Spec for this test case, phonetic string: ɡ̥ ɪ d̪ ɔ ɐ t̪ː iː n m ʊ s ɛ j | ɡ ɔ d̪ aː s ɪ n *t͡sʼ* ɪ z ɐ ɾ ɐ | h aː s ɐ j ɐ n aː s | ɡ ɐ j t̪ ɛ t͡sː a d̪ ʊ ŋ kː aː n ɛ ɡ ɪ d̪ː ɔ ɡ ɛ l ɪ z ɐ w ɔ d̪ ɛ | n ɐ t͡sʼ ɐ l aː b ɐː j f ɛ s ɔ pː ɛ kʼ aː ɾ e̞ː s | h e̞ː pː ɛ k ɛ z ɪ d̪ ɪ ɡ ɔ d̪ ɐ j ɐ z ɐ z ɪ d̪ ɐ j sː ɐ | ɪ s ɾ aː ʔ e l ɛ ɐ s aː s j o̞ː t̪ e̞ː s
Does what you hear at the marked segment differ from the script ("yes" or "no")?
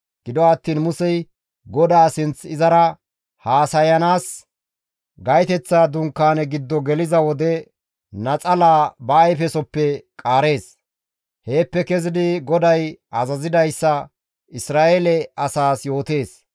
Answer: yes